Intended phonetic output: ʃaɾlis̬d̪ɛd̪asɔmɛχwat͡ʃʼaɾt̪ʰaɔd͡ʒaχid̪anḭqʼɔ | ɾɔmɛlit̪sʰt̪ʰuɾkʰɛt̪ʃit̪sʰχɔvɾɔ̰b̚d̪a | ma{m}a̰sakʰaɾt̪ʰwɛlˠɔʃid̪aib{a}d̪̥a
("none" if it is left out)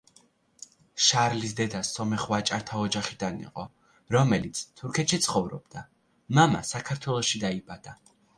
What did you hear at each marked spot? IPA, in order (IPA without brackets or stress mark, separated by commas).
m, a